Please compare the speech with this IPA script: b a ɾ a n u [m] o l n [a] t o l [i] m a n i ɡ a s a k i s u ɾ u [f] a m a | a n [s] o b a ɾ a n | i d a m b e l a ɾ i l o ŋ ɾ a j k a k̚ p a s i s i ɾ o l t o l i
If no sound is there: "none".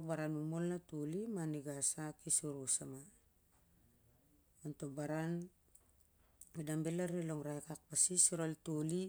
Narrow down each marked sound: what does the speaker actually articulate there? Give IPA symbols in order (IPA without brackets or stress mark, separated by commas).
m, a, i, s, t